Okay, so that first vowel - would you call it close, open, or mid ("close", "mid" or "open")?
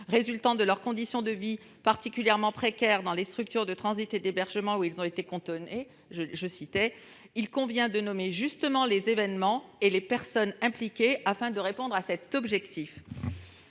mid